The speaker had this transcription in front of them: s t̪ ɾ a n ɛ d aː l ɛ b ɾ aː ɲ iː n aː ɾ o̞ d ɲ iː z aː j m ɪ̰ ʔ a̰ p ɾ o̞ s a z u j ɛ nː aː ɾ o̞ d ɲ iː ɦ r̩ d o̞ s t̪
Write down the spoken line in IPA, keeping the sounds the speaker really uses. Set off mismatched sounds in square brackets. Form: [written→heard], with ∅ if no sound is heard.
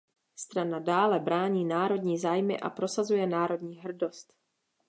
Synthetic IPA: s t̪ ɾ a n [ɛ→a] d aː l ɛ b ɾ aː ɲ iː n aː ɾ o̞ d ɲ iː z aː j m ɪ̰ ʔ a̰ p ɾ o̞ s a z u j ɛ [nː→n] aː ɾ o̞ d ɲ iː ɦ r̩ d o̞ s t̪